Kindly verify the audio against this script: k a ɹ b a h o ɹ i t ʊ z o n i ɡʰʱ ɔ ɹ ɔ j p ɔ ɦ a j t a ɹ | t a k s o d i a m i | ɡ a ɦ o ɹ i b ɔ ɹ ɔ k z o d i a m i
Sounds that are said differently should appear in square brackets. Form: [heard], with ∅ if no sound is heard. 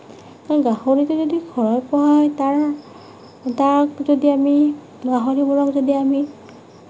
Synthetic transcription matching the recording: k a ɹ [ɡ] a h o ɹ i t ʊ z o [d] i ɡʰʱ ɔ ɹ ɔ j p ɔ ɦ a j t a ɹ | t a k [z] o d i a m i | ɡ a ɦ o ɹ i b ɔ ɹ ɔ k z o d i a m i